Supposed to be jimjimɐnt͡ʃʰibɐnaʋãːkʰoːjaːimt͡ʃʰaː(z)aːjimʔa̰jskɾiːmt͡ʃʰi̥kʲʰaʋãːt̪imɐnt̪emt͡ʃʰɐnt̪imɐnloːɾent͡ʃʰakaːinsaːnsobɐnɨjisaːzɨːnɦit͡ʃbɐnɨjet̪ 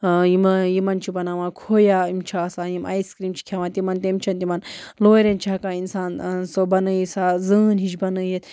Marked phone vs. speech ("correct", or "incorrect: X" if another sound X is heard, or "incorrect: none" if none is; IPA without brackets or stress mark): incorrect: s